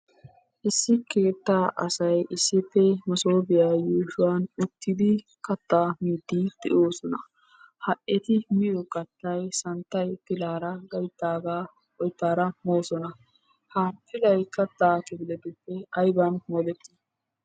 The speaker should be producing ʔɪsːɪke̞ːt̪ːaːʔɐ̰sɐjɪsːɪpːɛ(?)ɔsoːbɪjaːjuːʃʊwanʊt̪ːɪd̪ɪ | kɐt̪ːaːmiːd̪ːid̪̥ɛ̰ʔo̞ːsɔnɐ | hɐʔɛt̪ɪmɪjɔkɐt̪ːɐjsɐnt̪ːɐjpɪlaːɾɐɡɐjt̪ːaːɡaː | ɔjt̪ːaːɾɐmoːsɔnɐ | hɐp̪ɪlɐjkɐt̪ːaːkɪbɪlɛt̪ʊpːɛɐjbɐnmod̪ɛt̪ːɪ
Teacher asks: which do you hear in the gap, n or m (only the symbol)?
m